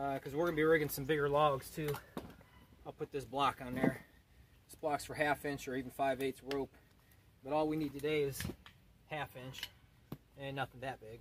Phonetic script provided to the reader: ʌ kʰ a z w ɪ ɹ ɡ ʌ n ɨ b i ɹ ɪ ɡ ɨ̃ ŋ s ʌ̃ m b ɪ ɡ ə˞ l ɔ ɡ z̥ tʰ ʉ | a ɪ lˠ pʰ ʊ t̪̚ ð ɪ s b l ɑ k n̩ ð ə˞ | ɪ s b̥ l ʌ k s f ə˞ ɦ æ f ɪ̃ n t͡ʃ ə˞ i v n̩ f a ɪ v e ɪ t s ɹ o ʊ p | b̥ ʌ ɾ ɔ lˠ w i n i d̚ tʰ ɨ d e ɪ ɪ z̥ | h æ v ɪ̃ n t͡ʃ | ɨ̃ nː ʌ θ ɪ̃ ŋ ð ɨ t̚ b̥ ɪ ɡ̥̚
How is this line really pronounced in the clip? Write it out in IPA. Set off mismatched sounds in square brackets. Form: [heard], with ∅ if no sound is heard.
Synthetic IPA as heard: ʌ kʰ [ʌ] z w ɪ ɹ ɡ ʌ n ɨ b i ɹ ɪ ɡ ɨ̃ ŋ s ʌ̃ m b ɪ ɡ ə˞ l ɔ ɡ z̥ tʰ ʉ | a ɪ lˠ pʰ ʊ t̪̚ ð ɪ s b l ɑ k n̩ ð ə˞ | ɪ s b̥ l [ɑ] k s f ə˞ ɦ æ f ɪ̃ n t͡ʃ ə˞ i v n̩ f a ɪ v e ɪ t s ɹ o ʊ p | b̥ ʌ ɾ ɔ lˠ w i n i d̚ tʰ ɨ d e ɪ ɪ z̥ | h æ [f] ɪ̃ n t͡ʃ | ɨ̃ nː ʌ θ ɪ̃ ŋ ð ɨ t̚ b̥ ɪ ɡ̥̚